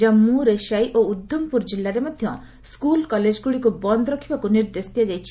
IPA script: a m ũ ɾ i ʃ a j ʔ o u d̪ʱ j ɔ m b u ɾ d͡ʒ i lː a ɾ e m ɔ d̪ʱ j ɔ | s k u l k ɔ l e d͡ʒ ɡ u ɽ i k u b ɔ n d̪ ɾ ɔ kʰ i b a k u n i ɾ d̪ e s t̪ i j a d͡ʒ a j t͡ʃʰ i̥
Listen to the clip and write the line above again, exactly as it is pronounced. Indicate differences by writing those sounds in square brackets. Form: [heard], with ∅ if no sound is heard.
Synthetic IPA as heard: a m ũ ɾ [e] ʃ a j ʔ o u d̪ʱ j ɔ m [p] u ɾ d͡ʒ i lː a ɾ e m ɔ d̪ʱ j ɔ | s k u l k ɔ l e d͡ʒ ɡ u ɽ i k u b ɔ n d̪ ɾ ɔ kʰ i b a k u n i ɾ d̪ e s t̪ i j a d͡ʒ a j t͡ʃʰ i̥